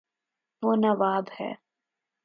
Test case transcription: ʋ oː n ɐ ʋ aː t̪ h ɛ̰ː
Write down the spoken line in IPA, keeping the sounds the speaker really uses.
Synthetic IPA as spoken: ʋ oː n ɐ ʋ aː d̪ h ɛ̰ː